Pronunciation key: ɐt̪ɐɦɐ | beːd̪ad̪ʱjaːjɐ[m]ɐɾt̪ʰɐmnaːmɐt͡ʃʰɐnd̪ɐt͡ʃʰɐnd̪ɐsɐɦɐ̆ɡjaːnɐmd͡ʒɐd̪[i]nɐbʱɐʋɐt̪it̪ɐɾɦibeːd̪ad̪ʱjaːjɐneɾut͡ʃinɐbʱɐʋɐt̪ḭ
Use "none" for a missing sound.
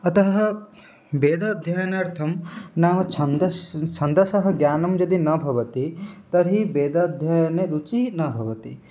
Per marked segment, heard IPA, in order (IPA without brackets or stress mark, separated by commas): n, i